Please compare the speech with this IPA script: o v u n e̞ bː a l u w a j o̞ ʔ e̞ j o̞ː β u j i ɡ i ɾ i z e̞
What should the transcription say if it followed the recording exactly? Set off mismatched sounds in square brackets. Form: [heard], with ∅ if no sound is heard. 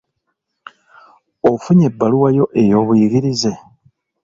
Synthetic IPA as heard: o [f] u [ɲ] e̞ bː a l u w a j o̞ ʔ e̞ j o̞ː β u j i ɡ i ɾ i z e̞